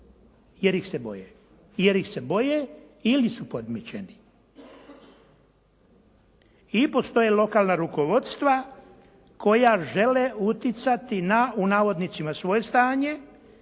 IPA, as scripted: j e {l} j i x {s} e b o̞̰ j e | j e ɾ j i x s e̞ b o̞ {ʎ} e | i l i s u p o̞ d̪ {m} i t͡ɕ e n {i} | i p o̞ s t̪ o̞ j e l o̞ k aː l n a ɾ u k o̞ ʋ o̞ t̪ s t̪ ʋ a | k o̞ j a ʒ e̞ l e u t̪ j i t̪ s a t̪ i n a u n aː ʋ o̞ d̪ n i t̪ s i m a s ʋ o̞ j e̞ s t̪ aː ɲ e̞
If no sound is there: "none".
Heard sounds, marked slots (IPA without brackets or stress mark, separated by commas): ɾ, s, j, m, i